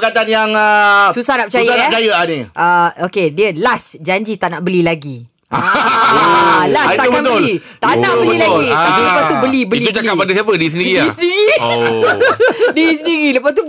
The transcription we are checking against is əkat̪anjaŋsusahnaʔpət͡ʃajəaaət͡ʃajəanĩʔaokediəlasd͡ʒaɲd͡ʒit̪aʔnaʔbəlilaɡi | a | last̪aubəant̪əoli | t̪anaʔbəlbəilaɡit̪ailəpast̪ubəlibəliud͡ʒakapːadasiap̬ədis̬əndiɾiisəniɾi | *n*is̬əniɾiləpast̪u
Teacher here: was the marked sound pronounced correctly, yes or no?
no